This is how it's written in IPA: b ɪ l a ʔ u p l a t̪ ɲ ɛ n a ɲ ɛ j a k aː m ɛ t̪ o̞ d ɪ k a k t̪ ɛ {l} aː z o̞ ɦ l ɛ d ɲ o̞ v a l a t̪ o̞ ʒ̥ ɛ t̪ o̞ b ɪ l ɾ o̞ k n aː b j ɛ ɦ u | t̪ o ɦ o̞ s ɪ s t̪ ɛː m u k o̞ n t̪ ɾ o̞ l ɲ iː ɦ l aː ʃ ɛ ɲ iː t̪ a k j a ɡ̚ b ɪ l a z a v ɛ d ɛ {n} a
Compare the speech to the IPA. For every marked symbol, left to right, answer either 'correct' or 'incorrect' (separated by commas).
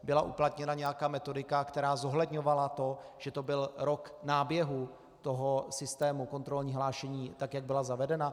incorrect, correct